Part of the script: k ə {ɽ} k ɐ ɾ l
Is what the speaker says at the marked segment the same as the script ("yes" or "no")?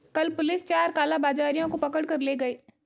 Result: yes